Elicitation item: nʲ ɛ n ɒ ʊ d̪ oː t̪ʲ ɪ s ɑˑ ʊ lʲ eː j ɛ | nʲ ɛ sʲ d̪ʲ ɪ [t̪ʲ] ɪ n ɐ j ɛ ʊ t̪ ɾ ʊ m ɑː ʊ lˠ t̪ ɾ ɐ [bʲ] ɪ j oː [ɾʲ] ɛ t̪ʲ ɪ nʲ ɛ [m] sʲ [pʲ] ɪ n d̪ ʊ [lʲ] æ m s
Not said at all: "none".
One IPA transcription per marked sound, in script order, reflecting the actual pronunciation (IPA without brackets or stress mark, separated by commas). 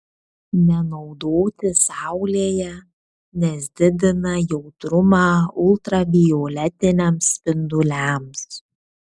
d̪ʲ, bʲ, lʲ, m, pʲ, lʲ